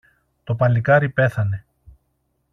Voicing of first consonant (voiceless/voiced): voiceless